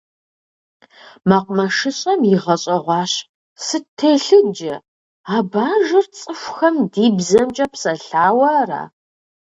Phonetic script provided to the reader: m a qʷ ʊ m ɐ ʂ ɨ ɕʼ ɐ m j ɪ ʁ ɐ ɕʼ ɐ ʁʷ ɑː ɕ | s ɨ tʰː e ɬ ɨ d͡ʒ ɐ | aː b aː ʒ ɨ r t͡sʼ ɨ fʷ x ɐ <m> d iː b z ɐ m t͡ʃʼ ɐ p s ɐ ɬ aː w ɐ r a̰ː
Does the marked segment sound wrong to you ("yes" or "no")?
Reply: no